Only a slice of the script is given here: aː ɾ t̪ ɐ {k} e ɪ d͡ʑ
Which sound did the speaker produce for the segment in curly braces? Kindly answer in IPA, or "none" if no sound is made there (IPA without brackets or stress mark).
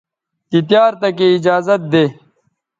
k